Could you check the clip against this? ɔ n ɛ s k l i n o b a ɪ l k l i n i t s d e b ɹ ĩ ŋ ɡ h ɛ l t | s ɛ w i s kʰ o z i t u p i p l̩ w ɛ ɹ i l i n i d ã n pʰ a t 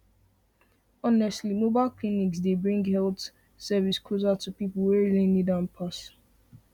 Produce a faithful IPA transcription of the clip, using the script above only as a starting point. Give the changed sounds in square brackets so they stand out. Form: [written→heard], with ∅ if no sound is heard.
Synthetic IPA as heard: ɔ n ɛ s [k→t] l i [n→m] o b a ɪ l k l i n i [t→k] s d e b ɹ ĩ ŋ ɡ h ɛ l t | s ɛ [w→v] i s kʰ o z [i→a] t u p i p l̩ w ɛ ɹ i l i n i d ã n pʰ a [t→s]